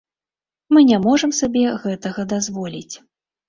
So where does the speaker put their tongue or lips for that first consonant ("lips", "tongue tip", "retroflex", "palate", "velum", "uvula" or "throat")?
lips